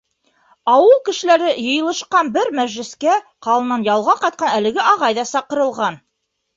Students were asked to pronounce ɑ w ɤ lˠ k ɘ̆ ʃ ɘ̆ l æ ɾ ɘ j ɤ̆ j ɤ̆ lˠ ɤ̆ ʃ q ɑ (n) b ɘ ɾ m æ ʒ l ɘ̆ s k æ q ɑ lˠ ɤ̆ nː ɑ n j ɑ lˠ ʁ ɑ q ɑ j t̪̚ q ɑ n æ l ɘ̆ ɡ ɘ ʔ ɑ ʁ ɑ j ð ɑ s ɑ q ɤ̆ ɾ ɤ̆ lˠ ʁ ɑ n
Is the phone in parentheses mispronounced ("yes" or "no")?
no